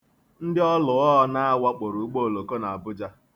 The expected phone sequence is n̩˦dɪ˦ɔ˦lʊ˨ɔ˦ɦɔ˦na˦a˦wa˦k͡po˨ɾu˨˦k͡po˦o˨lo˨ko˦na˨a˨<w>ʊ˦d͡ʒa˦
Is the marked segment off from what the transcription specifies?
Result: yes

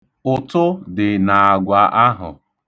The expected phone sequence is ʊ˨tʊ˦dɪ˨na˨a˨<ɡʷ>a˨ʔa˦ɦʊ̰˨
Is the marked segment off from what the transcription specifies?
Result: no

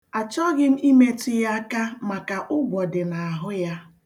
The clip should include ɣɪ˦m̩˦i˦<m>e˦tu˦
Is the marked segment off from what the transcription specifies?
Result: no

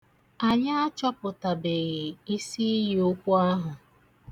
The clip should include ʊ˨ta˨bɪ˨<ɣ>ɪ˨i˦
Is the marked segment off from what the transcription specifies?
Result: no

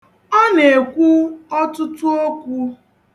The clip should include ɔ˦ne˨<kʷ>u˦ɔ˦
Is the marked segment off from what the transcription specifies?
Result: no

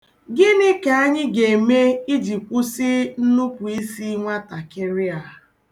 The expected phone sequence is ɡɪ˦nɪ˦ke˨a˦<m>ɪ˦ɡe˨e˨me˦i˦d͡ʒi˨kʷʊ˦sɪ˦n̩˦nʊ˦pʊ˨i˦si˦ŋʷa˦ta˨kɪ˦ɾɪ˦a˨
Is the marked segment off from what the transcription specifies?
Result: yes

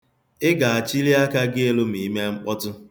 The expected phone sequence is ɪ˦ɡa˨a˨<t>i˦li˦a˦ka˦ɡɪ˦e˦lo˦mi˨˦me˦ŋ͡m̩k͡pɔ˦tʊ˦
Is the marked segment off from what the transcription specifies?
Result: yes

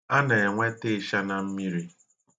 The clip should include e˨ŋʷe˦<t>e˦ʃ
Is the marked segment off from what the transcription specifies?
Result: no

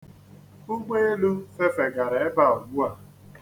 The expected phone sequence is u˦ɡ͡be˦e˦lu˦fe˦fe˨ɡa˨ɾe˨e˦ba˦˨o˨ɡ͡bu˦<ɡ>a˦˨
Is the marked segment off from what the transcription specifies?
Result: yes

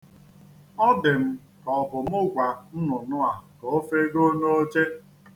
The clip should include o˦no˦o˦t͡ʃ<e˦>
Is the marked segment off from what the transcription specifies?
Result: no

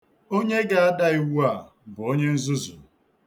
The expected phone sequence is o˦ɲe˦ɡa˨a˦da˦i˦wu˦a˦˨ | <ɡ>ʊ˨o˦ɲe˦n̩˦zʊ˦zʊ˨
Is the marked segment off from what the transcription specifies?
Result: yes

